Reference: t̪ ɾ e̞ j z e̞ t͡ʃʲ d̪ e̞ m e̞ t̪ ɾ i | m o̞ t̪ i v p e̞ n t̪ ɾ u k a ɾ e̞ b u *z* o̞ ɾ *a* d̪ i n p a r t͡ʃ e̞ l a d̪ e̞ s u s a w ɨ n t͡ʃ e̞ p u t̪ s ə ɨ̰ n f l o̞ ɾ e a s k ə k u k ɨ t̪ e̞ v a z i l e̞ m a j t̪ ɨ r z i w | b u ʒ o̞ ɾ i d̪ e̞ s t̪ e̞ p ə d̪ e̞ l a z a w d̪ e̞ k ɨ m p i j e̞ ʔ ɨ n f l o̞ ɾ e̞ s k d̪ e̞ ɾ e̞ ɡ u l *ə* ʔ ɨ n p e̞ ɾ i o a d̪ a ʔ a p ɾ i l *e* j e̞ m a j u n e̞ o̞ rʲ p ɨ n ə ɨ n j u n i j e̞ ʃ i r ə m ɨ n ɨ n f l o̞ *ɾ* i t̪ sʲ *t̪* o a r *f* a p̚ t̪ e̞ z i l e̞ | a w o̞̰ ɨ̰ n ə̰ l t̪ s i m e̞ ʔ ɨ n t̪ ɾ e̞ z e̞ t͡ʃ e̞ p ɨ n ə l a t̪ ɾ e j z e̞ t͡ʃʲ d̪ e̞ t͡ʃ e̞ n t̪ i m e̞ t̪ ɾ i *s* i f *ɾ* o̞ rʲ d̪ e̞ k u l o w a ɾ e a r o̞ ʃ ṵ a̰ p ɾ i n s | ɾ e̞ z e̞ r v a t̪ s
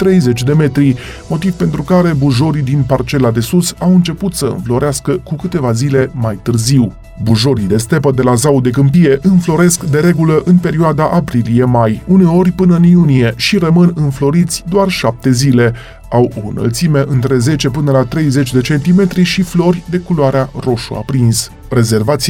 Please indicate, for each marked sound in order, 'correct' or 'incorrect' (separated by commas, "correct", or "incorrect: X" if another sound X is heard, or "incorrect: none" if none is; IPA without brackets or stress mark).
incorrect: ʒ, incorrect: i, correct, incorrect: i, correct, incorrect: d̪, incorrect: ʃ, incorrect: ʃ, incorrect: l